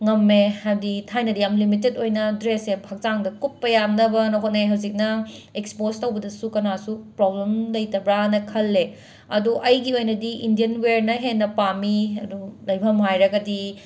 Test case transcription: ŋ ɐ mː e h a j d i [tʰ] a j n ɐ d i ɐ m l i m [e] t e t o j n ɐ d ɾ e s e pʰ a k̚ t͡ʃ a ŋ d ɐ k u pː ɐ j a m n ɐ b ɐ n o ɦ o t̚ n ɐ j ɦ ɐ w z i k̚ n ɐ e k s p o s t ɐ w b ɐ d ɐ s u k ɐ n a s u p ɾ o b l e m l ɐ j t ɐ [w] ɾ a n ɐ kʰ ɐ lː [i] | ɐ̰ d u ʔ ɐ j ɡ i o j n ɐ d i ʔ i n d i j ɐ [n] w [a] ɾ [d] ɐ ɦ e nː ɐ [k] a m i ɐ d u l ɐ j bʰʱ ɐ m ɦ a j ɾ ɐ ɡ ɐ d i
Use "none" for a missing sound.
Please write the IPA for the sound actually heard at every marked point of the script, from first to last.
tʰ, i, b, e, n, e, n, p

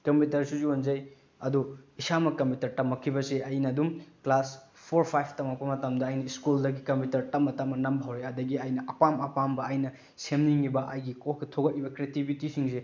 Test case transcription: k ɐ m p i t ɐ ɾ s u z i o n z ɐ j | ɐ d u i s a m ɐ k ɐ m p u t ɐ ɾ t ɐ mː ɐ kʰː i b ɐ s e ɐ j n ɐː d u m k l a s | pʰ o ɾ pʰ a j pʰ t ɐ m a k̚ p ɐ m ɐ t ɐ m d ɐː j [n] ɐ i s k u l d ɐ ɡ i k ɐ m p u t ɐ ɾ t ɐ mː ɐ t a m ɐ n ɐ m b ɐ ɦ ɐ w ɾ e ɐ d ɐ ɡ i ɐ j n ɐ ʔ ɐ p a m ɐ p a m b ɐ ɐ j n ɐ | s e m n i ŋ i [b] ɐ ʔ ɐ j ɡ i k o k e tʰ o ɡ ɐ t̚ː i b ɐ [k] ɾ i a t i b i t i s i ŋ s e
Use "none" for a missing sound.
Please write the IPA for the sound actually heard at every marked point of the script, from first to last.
n, b, k

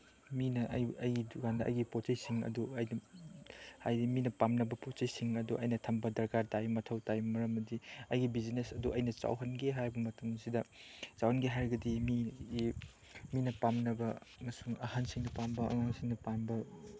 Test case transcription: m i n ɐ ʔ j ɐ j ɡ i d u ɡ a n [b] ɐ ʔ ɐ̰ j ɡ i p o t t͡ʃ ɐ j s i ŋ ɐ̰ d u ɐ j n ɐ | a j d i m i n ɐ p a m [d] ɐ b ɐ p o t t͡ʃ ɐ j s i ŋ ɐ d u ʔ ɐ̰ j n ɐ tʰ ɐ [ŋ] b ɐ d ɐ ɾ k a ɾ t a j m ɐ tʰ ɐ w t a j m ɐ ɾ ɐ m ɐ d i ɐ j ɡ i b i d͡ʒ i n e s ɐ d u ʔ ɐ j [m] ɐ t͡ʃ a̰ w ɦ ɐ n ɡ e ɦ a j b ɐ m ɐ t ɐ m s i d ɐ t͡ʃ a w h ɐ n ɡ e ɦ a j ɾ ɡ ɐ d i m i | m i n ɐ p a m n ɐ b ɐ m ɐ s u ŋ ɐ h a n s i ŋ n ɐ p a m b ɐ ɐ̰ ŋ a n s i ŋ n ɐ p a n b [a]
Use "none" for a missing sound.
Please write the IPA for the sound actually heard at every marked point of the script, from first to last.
d, n, m, n, ɐ

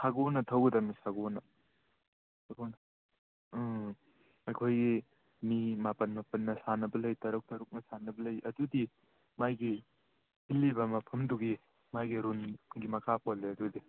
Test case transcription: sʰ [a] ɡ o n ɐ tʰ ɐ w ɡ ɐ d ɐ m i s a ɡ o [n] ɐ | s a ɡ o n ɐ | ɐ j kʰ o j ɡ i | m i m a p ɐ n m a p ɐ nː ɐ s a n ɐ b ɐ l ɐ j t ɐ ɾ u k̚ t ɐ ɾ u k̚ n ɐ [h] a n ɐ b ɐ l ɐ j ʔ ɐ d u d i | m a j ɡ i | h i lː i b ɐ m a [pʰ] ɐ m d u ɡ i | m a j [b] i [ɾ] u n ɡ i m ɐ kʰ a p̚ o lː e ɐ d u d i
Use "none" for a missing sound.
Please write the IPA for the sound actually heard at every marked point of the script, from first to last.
a, n, s, pʰ, ɡ, ɾ

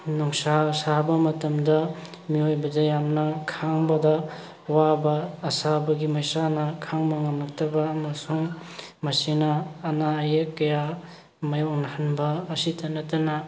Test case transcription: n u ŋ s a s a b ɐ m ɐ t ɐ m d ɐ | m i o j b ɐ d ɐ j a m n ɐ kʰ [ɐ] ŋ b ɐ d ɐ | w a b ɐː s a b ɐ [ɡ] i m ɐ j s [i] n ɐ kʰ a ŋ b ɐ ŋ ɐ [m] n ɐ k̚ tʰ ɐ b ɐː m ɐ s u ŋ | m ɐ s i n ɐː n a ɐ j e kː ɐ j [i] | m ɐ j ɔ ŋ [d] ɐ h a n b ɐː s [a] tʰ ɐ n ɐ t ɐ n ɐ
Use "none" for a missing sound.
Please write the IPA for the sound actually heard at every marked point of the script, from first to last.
a, ɡ, a, m, a, n, i

